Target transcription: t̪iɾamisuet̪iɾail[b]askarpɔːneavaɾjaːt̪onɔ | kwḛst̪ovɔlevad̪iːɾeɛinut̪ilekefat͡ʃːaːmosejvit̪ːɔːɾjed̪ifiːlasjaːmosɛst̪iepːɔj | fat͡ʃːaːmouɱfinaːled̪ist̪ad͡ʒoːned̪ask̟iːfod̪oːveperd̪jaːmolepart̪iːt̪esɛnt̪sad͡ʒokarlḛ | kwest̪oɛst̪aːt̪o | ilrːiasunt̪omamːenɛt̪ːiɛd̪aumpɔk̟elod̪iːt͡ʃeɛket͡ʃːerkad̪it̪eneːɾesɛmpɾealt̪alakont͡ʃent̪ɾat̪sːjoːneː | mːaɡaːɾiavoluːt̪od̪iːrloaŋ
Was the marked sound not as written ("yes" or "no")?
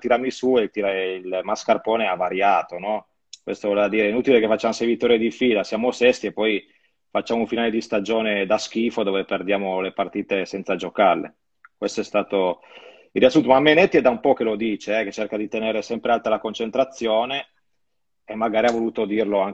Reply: yes